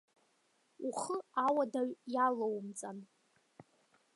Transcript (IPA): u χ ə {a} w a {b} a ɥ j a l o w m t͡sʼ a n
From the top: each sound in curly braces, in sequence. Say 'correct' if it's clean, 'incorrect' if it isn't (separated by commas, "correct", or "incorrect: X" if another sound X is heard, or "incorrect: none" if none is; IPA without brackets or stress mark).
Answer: correct, incorrect: d